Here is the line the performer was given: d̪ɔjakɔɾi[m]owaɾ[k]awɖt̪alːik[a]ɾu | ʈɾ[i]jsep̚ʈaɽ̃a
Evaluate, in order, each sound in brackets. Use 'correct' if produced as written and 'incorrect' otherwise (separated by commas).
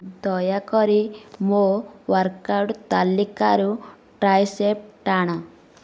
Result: correct, correct, correct, incorrect